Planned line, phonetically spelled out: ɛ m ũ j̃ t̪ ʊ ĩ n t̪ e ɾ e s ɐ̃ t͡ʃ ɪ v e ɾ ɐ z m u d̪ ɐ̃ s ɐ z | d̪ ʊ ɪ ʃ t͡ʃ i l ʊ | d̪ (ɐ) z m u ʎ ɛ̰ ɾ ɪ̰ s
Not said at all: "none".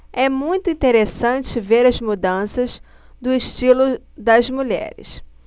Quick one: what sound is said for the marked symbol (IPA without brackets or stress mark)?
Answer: ɐ